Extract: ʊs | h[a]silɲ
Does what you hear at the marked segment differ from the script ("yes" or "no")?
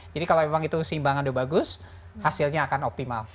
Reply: no